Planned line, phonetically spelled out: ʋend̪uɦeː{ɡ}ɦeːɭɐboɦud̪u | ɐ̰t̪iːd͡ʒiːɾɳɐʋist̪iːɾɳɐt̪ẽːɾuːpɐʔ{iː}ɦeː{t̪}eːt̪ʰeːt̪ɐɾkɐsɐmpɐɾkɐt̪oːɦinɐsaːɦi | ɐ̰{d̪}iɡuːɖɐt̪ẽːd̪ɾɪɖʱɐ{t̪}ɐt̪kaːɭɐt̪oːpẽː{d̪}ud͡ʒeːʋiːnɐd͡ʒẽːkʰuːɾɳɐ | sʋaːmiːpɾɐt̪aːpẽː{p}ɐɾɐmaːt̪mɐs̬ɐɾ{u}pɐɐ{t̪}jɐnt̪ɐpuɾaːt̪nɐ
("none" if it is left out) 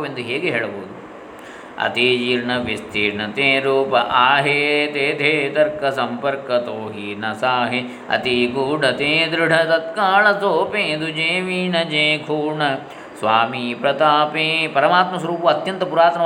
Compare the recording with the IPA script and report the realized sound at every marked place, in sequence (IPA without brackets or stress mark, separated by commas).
ɡ, aː, t̪, t̪, t̪, d̪, p, uː, t̪